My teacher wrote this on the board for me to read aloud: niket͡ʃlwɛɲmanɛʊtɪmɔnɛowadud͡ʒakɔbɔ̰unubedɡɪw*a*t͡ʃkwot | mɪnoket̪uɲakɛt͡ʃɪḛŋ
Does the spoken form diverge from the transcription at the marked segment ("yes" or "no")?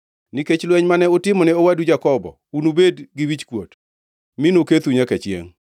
yes